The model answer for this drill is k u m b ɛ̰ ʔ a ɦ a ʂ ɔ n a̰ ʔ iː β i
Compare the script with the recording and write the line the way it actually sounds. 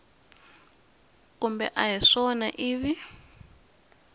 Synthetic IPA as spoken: k u m b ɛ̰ ʔ a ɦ i ʂ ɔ n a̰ ʔ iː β i